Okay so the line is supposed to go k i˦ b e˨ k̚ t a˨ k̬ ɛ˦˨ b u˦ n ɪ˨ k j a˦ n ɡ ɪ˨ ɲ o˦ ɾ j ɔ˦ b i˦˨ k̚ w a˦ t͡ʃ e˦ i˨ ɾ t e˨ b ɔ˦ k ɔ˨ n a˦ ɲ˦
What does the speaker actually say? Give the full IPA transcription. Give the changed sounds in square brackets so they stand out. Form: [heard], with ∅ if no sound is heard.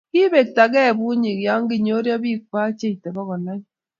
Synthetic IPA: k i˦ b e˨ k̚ t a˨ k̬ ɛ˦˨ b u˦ [ɲ] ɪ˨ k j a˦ [ŋ] ɡ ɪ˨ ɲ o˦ ɾ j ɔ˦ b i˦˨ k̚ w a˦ t͡ʃ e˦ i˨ [∅] t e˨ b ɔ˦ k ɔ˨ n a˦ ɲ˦